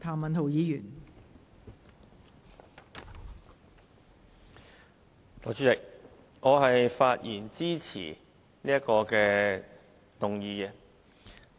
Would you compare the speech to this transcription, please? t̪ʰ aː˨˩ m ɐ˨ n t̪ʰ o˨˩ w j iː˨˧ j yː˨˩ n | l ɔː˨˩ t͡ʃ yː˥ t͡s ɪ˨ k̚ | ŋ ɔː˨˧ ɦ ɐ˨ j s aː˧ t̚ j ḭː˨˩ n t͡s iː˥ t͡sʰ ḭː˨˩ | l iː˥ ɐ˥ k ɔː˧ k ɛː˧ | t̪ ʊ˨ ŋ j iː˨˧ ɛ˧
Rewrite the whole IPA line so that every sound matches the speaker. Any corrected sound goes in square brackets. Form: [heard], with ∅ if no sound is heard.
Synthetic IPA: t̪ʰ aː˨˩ m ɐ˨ n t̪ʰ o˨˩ w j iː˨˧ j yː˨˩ n | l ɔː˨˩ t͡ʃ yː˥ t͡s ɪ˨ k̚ | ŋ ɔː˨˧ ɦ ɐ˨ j [f] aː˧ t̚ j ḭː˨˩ n t͡s iː˥ t͡sʰ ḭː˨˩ | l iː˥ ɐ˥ k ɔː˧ k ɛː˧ | t̪ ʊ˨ ŋ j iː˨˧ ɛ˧

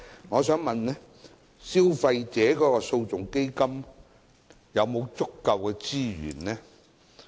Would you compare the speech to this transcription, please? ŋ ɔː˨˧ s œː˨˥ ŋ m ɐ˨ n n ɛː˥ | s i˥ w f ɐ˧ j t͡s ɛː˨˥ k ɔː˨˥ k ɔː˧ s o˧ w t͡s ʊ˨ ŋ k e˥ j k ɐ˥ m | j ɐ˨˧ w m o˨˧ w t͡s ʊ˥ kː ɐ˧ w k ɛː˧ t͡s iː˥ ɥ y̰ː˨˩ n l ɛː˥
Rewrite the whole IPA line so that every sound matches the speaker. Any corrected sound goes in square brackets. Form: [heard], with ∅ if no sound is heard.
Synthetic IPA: ŋ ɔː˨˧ s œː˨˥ ŋ m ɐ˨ n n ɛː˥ | s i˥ w f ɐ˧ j t͡s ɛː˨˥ k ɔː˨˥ k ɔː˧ s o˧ w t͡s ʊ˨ ŋ k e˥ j k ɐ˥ m | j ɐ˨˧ w m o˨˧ w t͡s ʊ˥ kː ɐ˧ w k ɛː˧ t͡s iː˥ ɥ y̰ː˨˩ n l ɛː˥

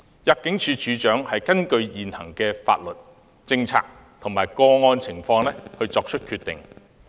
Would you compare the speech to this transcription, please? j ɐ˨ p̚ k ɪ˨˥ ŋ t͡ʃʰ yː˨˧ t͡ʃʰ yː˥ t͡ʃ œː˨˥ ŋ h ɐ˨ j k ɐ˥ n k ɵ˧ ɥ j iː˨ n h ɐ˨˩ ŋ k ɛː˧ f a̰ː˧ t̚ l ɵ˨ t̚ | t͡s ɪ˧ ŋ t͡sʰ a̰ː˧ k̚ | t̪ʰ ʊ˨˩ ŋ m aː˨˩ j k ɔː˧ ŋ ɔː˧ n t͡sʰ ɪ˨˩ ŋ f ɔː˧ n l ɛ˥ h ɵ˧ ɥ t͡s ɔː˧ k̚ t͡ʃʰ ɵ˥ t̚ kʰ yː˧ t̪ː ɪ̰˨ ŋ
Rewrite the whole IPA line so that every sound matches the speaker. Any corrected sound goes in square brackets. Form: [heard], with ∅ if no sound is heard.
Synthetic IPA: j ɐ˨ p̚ k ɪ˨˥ ŋ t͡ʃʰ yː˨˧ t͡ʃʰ [yː˨˧] t͡ʃ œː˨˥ ŋ h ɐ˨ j k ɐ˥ n k ɵ˧ ɥ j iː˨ n h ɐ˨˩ ŋ k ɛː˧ f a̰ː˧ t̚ l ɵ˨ t̚ | t͡s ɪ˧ ŋ t͡sʰ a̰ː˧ k̚ | t̪ʰ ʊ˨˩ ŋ m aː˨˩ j k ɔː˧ ŋ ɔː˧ n t͡sʰ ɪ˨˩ ŋ f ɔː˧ [ŋ] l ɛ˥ h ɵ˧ ɥ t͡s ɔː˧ k̚ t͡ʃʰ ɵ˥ t̚ kʰ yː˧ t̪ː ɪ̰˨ ŋ

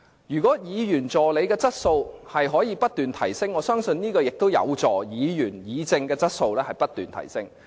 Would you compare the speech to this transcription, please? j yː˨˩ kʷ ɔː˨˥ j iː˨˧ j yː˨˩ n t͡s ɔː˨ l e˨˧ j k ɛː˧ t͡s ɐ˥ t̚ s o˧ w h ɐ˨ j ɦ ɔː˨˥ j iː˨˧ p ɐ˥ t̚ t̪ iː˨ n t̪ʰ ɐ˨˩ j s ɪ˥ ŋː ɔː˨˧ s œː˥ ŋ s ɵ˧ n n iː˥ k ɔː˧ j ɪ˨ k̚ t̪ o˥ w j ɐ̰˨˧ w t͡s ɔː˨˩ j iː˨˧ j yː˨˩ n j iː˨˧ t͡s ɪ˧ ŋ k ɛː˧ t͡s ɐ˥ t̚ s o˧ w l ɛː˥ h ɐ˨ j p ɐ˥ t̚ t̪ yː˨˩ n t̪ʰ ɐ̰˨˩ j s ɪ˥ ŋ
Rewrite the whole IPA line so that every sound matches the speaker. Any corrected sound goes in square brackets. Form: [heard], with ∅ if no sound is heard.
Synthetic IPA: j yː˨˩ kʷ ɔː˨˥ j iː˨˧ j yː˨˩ n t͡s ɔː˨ l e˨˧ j k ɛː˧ t͡s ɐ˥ t̚ s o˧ w h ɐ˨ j ɦ ɔː˨˥ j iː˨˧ p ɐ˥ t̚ t̪ [yː˨] n t̪ʰ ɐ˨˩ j s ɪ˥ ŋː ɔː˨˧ s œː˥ ŋ s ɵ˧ n n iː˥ k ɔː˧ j ɪ˨ k̚ t̪ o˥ w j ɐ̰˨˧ w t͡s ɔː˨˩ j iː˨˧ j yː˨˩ n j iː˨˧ t͡s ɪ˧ ŋ k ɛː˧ t͡s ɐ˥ t̚ s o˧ w l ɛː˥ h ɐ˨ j p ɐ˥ t̚ t̪ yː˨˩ n t̪ʰ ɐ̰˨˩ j s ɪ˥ ŋ

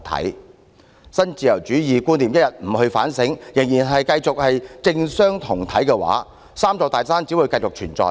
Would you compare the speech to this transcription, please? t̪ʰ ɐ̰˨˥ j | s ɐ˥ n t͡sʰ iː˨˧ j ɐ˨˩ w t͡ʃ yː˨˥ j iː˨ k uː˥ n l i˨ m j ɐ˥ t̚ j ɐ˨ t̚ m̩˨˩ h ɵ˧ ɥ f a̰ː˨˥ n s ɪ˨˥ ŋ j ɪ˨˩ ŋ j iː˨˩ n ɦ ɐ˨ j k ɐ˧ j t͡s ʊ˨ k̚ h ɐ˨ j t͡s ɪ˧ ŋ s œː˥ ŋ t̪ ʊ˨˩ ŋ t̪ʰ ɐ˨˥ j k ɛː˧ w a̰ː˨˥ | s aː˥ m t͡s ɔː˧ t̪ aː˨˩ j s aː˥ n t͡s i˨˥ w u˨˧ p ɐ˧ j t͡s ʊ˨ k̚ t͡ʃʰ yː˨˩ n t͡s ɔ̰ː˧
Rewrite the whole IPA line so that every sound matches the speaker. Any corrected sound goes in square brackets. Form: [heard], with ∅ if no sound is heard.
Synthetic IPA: t̪ʰ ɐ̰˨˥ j | s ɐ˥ n [t͡s] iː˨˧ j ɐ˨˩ w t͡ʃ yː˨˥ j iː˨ k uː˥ n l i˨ m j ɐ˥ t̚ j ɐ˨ t̚ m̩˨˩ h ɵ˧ ɥ f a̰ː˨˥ n s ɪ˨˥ ŋ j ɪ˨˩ ŋ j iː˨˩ n ɦ ɐ˨ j k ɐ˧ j t͡s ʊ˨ k̚ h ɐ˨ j t͡s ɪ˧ ŋ s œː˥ ŋ [t̪ʰ] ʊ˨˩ ŋ t̪ʰ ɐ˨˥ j k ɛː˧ w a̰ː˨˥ | s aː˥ m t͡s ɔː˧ t̪ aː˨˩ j s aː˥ n t͡s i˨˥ w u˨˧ [k] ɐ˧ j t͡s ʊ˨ k̚ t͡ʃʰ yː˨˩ n t͡s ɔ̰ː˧

